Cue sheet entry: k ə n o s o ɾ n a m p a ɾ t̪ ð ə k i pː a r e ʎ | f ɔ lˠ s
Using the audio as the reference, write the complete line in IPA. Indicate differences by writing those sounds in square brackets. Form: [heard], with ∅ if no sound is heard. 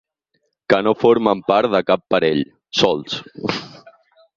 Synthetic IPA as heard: k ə n o [f] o ɾ [m] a m p a ɾ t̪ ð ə k [a] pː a [ɾ] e ʎ | [s] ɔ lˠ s